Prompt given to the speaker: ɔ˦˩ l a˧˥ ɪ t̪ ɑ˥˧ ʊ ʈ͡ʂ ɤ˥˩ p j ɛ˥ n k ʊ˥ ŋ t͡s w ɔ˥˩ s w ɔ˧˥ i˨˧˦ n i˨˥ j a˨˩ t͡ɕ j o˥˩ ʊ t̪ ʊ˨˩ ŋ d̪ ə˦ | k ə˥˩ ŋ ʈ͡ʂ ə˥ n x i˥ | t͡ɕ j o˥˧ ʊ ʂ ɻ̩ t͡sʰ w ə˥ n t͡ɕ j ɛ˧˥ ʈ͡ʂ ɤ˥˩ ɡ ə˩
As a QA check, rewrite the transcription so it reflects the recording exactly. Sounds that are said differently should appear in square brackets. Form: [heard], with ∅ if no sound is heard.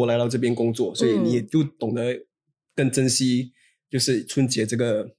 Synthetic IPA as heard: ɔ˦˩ l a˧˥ ɪ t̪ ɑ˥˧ ʊ ʈ͡ʂ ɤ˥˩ p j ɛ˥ n k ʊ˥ ŋ t͡s w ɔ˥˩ s w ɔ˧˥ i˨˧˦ n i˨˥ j [ɛ˨˩] t͡ɕ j o˥˩ ʊ t̪ ʊ˨˩ ŋ d̪ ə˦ | k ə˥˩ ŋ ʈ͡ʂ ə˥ n [ɕ] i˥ | t͡ɕ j o˥˧ ʊ ʂ ɻ̩ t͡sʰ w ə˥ n t͡ɕ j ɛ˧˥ ʈ͡ʂ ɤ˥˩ ɡ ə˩